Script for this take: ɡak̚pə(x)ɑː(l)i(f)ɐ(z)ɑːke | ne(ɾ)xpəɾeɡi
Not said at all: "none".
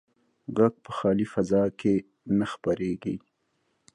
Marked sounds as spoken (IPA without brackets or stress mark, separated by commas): x, l, f, z, none